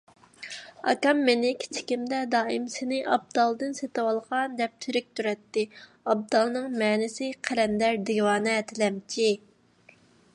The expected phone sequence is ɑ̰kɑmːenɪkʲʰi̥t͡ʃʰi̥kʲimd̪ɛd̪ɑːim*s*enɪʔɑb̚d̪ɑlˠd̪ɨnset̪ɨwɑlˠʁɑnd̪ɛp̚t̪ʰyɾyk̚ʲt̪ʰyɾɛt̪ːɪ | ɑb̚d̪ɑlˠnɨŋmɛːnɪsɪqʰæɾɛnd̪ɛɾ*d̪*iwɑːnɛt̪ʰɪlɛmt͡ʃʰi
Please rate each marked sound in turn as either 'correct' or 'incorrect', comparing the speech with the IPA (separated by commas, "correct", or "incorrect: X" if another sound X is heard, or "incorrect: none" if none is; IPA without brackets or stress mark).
correct, correct